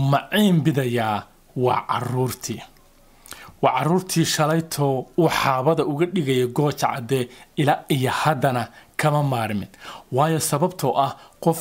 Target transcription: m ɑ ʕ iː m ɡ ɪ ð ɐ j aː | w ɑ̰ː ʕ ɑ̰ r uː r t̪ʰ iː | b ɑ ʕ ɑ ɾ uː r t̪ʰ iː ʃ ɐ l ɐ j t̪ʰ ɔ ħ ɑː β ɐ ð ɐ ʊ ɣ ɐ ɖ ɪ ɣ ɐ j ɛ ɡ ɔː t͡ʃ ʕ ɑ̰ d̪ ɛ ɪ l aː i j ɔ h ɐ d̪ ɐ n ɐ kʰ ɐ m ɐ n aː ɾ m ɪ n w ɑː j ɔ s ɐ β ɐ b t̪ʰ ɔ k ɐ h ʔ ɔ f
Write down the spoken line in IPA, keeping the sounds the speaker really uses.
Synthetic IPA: m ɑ ʕ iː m b ɪ ð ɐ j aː | w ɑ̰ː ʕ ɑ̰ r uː r t̪ʰ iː | w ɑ ʕ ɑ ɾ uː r t̪ʰ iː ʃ ɐ l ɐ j t̪ʰ ɔ ħ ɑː β ɐ ð ɐ ʊ ɣ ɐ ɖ ɪ ɣ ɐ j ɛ ɡ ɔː t͡ʃ ʕ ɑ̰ d̪ ɛ ɪ l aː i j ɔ h ɐ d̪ ɐ n ɐ kʰ ɐ m ɐ m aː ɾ m ɪ n w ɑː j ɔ s ɐ β ɐ b t̪ʰ ɔ ʔ ɐ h q ɔ f